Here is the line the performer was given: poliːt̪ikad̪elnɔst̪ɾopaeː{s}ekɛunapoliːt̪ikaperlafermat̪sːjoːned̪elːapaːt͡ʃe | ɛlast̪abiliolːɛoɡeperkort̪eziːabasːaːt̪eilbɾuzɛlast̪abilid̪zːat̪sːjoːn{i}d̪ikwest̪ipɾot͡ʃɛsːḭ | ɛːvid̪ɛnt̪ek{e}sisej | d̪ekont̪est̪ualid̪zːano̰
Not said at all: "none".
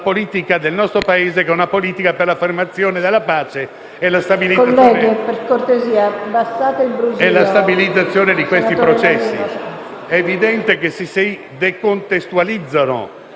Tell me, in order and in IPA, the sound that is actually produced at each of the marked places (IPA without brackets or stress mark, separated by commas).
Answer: z, e, e